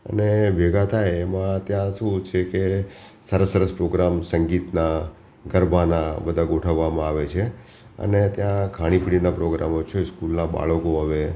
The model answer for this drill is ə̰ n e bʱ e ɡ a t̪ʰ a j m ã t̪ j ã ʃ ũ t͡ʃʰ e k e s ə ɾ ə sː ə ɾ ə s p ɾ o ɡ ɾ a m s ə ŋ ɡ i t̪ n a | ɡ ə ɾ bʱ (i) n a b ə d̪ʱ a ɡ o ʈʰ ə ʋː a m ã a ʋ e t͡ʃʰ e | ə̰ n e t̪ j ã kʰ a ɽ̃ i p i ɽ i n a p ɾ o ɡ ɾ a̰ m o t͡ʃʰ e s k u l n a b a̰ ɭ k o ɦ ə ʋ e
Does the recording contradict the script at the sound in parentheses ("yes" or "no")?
yes